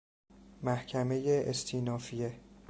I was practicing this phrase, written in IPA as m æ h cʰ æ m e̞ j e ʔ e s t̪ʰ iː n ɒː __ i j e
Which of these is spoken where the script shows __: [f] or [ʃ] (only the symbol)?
f